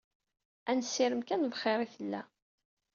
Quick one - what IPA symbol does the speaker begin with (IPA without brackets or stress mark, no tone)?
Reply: æ